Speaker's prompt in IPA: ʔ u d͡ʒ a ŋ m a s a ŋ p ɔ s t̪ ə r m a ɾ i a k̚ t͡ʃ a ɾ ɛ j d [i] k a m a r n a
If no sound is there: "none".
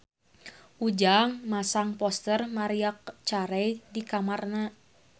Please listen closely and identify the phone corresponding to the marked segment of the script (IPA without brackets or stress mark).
i